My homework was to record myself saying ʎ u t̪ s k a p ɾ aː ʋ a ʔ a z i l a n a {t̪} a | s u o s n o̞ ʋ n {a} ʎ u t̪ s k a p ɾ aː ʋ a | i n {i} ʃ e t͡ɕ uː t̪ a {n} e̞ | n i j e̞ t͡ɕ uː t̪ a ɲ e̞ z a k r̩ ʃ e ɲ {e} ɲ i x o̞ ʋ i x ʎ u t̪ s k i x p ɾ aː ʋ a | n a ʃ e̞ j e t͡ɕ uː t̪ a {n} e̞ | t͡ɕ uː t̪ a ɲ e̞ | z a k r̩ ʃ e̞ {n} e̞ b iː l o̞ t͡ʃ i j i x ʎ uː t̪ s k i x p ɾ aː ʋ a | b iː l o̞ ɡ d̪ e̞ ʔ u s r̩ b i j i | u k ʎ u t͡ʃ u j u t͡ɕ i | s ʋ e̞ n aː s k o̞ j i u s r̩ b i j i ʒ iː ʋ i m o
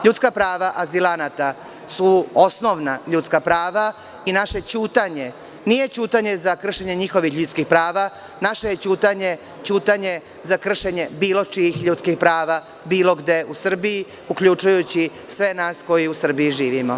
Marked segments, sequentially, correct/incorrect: correct, correct, incorrect, incorrect, correct, incorrect, incorrect

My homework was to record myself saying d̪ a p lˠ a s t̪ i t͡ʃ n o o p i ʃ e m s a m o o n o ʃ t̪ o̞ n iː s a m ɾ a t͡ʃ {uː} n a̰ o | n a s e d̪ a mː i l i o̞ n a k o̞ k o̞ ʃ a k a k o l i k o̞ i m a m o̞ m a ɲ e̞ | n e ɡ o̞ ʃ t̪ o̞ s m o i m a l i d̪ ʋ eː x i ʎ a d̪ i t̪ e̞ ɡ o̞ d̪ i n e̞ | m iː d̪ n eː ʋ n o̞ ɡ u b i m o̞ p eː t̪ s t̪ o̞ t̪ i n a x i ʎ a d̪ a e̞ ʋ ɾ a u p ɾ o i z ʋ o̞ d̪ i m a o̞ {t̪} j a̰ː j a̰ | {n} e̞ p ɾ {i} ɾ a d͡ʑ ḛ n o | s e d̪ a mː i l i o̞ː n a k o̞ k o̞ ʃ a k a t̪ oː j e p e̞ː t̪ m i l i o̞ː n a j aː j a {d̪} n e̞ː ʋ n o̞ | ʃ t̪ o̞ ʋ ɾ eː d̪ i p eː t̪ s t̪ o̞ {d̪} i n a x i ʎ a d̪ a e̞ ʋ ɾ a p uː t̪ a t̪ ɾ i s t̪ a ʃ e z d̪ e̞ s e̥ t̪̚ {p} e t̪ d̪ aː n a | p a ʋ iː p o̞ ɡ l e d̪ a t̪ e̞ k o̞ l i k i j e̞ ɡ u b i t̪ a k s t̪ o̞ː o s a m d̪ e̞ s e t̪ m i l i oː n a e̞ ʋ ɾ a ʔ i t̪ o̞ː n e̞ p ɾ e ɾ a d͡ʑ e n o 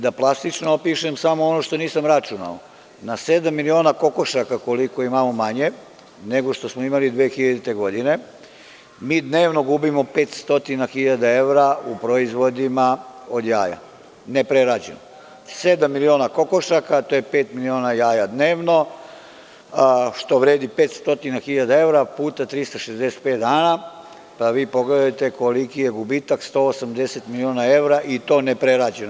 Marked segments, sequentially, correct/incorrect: incorrect, incorrect, correct, incorrect, correct, incorrect, correct

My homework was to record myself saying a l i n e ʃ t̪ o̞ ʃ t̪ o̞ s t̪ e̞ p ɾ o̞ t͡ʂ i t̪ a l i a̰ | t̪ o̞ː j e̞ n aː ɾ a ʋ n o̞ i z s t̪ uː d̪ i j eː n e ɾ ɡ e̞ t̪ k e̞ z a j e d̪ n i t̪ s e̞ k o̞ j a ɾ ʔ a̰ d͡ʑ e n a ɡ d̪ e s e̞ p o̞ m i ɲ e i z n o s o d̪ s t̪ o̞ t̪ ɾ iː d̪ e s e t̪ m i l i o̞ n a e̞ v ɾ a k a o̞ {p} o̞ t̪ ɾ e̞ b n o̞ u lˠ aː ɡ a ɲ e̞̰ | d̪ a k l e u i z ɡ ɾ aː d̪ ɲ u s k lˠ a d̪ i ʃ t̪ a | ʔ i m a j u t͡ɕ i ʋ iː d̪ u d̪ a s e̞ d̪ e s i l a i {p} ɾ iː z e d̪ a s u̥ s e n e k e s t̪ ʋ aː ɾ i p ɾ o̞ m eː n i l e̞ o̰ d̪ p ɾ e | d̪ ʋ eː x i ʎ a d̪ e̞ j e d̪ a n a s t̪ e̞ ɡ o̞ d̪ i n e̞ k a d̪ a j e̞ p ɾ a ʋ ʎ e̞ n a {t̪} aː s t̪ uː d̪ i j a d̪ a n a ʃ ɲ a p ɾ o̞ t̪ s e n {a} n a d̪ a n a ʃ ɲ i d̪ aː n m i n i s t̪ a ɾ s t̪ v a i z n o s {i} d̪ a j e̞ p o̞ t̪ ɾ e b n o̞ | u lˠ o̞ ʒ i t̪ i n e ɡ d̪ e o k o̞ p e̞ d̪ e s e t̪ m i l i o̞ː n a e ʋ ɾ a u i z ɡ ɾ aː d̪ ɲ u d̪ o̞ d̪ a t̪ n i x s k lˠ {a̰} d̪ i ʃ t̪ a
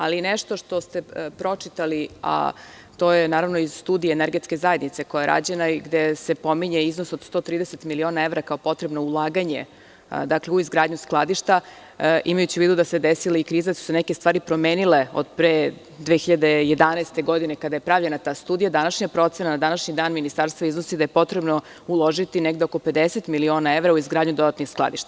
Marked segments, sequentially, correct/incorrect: correct, incorrect, correct, correct, correct, correct

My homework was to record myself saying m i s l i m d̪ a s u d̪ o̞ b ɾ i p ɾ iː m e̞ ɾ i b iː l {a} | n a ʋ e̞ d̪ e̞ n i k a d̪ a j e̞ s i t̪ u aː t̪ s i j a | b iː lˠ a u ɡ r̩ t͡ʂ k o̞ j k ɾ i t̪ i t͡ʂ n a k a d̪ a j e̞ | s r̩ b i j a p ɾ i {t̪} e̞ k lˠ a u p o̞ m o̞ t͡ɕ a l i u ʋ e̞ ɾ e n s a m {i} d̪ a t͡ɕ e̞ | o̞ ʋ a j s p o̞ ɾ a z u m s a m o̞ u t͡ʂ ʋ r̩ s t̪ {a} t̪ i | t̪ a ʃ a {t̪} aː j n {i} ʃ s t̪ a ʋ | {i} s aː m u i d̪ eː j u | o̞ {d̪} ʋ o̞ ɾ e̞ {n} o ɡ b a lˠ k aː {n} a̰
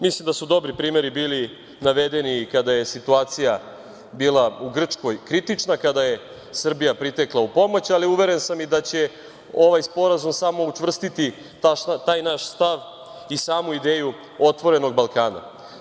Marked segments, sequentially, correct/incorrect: incorrect, correct, correct, incorrect, correct, incorrect, correct, incorrect, correct, correct

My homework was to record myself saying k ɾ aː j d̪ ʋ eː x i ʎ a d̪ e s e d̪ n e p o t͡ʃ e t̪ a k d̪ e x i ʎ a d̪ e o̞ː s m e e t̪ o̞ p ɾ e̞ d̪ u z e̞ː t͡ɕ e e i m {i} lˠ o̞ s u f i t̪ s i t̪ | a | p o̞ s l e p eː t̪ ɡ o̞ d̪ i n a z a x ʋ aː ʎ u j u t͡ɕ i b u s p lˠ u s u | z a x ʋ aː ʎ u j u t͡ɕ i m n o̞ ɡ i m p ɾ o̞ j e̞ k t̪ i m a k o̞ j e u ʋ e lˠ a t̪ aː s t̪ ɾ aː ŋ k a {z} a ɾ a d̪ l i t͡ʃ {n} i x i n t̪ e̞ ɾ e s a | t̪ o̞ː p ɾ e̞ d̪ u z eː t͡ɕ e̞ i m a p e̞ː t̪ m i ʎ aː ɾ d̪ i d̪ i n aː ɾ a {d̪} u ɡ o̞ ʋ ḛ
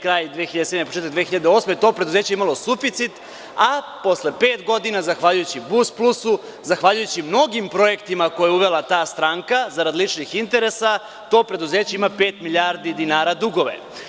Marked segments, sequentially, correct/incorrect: incorrect, correct, correct, correct

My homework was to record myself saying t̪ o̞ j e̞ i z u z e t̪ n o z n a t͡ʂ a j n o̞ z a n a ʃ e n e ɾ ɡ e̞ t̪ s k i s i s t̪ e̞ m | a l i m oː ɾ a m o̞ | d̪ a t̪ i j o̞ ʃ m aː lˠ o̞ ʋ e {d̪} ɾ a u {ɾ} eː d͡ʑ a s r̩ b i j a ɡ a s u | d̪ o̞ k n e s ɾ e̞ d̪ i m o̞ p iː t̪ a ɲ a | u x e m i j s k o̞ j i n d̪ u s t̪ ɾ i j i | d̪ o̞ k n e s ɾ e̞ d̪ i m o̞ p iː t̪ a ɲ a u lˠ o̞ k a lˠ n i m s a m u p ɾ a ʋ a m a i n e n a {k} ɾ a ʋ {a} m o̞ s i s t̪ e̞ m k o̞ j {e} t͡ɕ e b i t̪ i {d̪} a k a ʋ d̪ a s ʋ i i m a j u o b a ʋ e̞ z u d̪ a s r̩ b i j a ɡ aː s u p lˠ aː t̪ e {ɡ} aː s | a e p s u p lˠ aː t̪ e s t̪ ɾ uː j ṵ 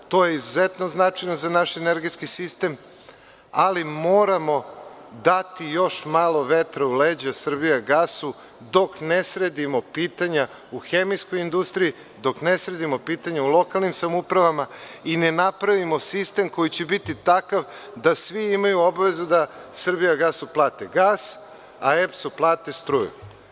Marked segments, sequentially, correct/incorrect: incorrect, incorrect, incorrect, incorrect, incorrect, incorrect, correct

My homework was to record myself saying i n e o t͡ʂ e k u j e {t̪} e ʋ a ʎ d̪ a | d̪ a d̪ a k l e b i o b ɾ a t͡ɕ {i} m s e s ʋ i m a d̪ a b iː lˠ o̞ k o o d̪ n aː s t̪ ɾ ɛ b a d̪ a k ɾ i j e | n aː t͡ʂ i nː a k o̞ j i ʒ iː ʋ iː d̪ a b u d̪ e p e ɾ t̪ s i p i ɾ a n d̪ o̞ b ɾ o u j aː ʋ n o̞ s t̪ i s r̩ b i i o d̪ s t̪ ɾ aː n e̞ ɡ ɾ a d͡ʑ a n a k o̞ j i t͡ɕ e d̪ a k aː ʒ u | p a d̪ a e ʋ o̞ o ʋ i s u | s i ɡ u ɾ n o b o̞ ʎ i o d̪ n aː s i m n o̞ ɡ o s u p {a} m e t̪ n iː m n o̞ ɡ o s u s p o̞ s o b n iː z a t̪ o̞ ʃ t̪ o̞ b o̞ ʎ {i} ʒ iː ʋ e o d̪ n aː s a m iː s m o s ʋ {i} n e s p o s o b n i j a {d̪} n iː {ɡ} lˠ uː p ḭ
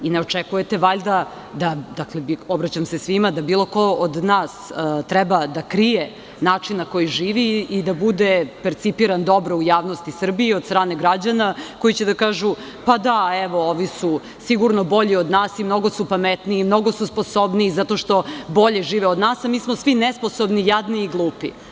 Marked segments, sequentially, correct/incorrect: correct, incorrect, correct, incorrect, correct, correct, correct

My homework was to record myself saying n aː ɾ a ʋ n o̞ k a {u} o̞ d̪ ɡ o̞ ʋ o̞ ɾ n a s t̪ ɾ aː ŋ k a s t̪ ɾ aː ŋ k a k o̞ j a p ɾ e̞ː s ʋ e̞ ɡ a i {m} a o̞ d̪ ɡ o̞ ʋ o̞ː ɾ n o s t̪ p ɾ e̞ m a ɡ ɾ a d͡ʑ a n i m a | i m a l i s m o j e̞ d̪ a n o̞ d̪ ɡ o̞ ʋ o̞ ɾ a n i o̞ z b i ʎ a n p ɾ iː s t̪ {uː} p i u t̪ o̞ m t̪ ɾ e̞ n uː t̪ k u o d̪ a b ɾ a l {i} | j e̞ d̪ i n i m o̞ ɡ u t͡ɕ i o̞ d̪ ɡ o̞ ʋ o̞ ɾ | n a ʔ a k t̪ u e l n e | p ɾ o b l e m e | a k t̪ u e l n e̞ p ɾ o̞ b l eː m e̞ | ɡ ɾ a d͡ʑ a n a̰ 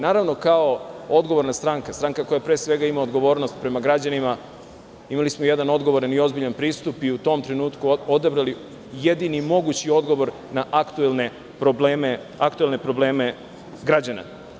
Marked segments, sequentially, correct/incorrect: incorrect, correct, incorrect, correct

